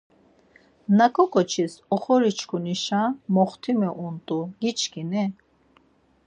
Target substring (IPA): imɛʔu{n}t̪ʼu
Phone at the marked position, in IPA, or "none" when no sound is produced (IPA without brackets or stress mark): n